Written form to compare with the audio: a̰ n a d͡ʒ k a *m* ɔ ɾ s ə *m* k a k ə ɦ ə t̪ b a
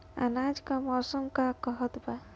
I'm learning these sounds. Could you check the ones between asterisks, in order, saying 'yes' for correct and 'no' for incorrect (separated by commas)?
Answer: yes, yes